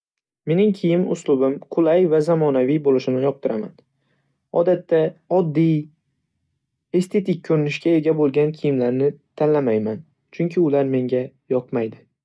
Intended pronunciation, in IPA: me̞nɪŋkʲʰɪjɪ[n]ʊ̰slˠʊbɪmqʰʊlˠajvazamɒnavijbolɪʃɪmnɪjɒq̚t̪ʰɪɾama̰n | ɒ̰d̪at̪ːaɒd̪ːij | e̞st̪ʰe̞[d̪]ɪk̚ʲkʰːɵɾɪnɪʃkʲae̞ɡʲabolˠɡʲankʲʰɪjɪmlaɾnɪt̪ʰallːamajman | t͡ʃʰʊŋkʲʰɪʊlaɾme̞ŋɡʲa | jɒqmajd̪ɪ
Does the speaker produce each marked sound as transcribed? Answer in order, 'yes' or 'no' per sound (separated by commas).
no, no